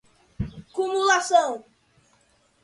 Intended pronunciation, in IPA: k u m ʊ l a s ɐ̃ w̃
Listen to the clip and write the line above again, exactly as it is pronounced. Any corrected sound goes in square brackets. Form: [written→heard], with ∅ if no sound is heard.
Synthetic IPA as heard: k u m [ʊ→u] l a s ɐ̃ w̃